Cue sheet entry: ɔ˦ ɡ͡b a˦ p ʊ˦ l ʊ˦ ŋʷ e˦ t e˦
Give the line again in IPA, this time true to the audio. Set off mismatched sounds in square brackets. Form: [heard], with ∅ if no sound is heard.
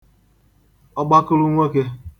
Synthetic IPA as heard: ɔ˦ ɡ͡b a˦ [k] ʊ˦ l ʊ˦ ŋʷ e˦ [k] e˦